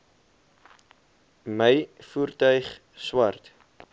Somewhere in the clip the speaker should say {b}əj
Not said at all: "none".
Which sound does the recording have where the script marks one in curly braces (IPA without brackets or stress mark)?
m